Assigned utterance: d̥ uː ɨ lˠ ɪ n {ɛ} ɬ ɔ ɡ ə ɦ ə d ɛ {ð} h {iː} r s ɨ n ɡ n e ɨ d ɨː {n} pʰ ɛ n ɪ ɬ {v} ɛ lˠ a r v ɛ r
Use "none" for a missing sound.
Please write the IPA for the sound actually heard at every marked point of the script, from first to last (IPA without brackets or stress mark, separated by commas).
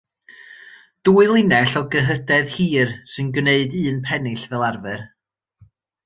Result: ɛ, ð, iː, n, v